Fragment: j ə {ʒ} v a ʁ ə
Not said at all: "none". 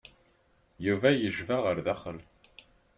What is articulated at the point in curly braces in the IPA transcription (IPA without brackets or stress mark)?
ʒ